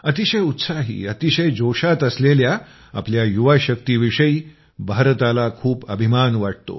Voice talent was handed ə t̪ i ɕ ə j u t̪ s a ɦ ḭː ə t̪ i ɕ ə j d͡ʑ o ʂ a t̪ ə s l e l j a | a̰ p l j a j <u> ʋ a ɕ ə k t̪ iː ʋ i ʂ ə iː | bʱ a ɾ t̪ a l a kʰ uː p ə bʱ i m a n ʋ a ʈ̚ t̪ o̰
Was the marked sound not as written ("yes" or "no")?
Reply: no